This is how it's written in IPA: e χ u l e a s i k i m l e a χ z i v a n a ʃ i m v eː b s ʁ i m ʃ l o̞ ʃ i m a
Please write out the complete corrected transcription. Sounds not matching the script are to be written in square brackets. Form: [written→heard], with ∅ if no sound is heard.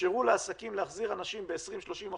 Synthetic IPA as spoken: e [χ→ʁ] u l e a s [i→a] k i m l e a χ z i [v→ʁ] a n a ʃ i m [v→b] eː [b→∅] s ʁ i m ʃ l o̞ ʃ i m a